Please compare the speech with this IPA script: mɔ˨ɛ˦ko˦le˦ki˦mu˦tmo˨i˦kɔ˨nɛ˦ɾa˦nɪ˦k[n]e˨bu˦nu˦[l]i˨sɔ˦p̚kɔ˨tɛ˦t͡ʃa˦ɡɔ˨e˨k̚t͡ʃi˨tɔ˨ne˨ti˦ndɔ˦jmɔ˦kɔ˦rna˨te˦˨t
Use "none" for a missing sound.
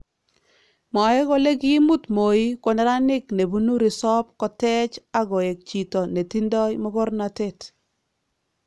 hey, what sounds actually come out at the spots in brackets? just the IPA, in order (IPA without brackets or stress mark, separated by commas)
n, ɾ